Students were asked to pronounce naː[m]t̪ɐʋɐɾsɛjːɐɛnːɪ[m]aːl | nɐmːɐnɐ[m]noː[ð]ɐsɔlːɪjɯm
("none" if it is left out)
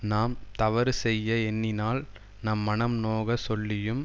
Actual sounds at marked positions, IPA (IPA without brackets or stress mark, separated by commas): m, n, m, ɣ